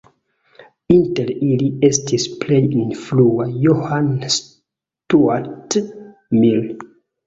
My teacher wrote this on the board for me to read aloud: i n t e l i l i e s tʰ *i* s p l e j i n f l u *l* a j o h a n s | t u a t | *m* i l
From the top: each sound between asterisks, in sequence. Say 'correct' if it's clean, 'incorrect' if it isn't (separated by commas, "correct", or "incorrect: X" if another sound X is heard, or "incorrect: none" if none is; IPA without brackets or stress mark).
correct, incorrect: none, correct